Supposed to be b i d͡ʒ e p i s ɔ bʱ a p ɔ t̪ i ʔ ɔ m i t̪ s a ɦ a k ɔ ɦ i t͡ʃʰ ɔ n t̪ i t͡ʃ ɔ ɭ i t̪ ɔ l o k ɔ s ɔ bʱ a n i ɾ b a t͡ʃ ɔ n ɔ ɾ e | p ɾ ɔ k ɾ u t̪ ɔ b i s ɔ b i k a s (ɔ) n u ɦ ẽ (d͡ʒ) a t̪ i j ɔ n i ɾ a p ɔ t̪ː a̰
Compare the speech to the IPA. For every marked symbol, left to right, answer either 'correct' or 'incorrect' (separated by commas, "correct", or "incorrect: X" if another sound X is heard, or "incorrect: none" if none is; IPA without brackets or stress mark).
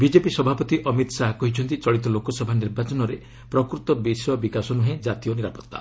correct, correct